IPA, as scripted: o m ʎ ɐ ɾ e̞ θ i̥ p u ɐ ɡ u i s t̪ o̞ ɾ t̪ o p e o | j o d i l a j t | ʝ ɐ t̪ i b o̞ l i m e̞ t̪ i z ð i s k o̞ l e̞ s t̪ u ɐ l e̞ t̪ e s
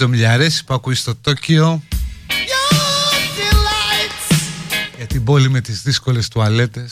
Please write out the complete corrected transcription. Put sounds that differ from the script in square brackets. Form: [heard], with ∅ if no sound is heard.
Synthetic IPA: o m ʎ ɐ ɾ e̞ [s] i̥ p u ɐ [k] u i s t̪ o̞ [∅] t̪ o [c] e o | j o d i l a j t | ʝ ɐ t̪ i b o̞ l i m e̞ t̪ i z ð i s k o̞ l e̞ s t̪ u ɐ l e̞ t̪ e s